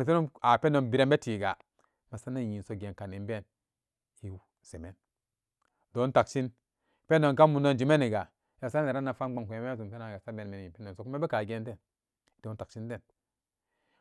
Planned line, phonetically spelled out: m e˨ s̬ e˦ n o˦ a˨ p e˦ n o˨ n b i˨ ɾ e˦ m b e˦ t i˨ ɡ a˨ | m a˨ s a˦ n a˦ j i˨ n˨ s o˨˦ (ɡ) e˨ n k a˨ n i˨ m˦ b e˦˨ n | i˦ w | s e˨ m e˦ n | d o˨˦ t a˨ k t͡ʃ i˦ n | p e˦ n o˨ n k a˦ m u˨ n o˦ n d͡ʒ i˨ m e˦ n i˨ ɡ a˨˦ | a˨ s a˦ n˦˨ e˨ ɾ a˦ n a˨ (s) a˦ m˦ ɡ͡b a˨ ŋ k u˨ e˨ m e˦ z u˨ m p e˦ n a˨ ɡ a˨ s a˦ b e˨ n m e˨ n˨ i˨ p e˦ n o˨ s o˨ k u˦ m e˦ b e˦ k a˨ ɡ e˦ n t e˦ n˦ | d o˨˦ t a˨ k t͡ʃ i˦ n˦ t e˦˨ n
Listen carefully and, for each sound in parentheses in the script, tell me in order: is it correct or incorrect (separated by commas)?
correct, incorrect